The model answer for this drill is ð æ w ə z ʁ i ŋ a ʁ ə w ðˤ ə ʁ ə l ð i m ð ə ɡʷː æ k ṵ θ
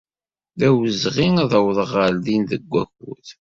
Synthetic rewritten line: ð æ w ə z ʁ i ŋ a ð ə w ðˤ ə ʁ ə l ð i n ð ə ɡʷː æ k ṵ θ

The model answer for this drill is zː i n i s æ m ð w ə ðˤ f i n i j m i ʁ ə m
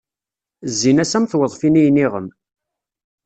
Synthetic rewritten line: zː i n æ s æ m θ w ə ðˤ f i n i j n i ʁ ə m

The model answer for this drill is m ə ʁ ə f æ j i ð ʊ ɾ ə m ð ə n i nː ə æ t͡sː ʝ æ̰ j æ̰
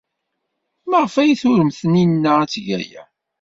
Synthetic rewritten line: m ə ʁ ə f æ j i θ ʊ ɾ ə m θ ə n i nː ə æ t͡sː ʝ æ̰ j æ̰

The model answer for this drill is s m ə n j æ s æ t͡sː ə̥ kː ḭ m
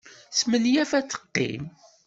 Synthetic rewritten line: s m ə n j æ f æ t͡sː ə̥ qː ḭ m

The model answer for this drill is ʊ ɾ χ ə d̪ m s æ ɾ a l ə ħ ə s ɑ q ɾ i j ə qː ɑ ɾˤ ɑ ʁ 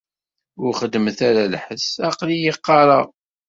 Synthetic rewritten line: ʊ ɾ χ ə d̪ m θ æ ɾ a l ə ħ ə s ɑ q l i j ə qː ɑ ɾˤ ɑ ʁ

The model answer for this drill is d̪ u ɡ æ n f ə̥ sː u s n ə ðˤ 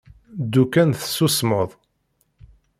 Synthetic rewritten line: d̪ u k æ n θ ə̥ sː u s m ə ðˤ

